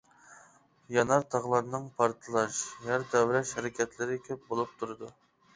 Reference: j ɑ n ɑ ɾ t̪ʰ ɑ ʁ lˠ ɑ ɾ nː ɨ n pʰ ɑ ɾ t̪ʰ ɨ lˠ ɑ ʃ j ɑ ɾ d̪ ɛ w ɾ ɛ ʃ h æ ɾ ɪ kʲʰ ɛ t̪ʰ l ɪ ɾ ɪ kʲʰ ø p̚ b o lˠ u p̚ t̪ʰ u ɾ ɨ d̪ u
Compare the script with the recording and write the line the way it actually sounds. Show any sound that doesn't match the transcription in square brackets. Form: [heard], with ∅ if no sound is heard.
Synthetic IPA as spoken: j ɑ n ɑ ɾ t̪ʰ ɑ ʁ lˠ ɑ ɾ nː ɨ [ŋ] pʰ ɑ ɾ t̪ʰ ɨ lˠ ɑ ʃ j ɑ ɾ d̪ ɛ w ɾ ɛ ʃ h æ ɾ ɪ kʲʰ ɛ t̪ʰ l ɪ ɾ ɪ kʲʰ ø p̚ b o lˠ u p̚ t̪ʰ u ɾ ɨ d̪ u